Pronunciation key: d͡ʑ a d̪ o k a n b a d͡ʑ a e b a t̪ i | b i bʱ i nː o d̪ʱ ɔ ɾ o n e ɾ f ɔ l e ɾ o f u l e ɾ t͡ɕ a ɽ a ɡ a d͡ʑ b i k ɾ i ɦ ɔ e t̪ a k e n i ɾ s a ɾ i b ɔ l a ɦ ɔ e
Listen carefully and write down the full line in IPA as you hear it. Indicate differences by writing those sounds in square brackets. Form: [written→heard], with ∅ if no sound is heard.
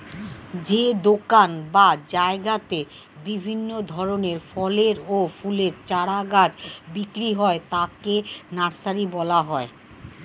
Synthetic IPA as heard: d͡ʑ [a→e] d̪ o k a n b a d͡ʑ a e [b→ɡ] a t̪ [i→e] | b i bʱ i nː o d̪ʱ ɔ ɾ o n e ɾ f ɔ l e ɾ o f u l e ɾ t͡ɕ a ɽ a ɡ a d͡ʑ b i k ɾ i ɦ ɔ e t̪ a k e n [i→a] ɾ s a ɾ i b ɔ l a ɦ ɔ e